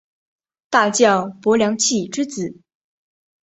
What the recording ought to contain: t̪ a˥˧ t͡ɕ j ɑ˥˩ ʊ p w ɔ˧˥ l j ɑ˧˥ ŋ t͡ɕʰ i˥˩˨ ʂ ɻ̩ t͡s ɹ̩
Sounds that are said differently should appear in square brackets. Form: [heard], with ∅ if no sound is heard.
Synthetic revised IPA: t̪ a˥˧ t͡ɕ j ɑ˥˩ ʊ p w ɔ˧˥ l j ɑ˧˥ ŋ t͡ɕʰ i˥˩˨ [ʈ͡ʂ] ɻ̩ t͡s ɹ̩